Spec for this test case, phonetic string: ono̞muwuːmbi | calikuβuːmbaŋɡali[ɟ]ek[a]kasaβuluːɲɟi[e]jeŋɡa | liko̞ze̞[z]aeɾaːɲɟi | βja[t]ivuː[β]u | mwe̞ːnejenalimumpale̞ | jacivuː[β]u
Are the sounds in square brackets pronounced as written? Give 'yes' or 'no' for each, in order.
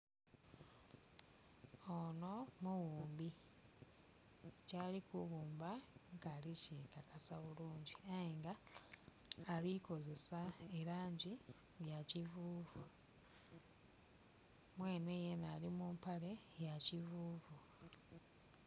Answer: no, yes, no, no, no, no, no

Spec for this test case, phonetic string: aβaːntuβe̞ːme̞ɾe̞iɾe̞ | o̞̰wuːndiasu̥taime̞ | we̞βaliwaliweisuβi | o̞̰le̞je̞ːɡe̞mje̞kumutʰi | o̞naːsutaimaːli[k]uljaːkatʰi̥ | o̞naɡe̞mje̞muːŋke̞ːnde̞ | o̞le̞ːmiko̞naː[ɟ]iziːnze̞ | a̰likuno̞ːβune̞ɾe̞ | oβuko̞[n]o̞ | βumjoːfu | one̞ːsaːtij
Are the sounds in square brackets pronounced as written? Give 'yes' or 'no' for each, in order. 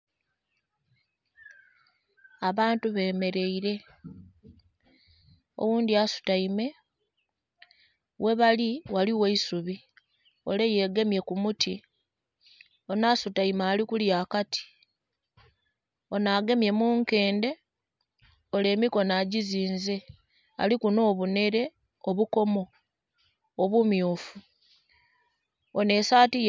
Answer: yes, yes, no

